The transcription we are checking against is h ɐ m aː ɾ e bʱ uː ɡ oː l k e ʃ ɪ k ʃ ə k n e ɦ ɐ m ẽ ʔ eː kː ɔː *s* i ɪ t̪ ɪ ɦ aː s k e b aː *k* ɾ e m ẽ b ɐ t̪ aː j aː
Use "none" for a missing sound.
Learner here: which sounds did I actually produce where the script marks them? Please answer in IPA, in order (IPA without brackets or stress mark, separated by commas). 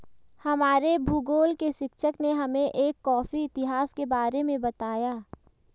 f, none